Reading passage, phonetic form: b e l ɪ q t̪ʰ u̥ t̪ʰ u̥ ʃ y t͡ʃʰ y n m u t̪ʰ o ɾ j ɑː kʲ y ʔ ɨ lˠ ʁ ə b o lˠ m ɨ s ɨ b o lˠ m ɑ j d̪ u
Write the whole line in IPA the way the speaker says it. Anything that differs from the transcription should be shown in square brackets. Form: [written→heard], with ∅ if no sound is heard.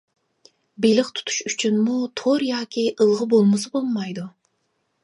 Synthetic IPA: b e l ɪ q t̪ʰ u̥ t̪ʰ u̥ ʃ y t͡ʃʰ y n m u t̪ʰ o ɾ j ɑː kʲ [y→i] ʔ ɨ lˠ ʁ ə b o lˠ m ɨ s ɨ b o lˠ m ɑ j d̪ u